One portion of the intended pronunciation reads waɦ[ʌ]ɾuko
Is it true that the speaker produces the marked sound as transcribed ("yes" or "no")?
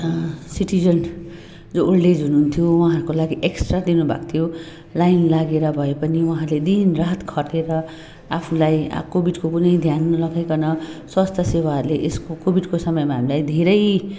no